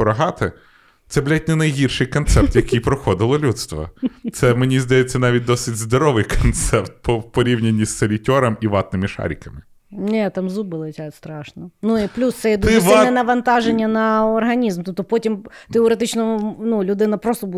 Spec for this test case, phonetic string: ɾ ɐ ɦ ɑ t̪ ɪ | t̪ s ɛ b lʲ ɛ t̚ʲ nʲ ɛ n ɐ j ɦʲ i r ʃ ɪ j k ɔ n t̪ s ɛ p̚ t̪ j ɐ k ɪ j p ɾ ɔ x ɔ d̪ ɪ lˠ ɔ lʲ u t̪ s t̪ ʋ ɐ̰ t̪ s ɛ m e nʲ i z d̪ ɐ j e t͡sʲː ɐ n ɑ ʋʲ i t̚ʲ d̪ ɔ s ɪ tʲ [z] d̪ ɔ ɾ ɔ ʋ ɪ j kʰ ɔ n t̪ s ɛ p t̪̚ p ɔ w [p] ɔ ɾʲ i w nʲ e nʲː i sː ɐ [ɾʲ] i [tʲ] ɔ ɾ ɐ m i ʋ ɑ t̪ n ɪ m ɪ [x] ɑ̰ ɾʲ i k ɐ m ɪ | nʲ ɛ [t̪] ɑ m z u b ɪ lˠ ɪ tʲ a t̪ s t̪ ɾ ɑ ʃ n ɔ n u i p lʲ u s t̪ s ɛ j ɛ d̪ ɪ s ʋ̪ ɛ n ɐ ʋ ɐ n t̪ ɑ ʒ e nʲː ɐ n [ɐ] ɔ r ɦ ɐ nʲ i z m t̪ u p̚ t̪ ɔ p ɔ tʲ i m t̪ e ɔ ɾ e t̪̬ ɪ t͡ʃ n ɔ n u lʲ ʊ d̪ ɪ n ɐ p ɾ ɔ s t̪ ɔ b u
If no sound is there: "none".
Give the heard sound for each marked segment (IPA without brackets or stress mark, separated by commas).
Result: z, p, lʲ, tʲ, ʃ, t̪, ɐ